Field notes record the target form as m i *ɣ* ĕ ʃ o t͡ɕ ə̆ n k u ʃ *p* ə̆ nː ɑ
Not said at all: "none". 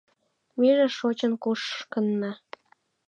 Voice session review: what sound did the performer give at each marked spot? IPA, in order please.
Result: ʒ, k

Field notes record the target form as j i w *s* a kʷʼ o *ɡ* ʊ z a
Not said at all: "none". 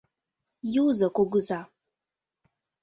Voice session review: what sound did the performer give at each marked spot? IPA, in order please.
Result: z, ɡ

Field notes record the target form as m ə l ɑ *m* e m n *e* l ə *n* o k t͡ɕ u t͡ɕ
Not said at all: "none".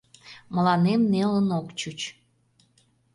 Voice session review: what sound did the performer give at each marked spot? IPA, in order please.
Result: n, e, n

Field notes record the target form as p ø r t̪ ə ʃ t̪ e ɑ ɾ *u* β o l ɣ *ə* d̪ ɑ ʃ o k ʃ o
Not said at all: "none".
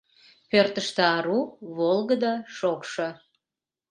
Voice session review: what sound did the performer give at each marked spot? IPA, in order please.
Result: u, ə

